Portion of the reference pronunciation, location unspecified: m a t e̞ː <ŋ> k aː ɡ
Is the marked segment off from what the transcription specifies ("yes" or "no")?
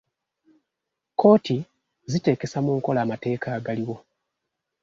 yes